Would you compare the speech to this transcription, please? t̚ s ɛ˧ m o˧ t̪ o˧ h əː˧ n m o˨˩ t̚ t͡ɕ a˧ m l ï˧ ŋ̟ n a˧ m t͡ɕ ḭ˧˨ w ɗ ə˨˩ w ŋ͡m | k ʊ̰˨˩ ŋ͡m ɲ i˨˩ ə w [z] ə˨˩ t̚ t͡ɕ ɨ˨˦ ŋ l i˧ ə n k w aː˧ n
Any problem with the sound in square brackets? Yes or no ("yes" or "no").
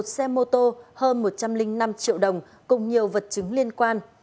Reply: yes